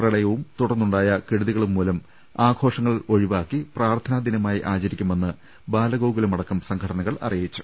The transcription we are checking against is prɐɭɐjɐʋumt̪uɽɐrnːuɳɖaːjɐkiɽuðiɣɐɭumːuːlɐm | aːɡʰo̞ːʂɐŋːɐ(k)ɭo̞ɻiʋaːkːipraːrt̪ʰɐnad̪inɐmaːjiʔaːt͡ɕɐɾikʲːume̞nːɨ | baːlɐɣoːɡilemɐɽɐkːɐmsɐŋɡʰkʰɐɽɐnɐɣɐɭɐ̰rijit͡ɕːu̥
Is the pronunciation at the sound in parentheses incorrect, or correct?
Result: incorrect